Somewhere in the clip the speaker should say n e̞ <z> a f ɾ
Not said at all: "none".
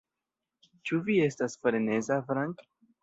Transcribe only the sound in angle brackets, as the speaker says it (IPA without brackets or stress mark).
z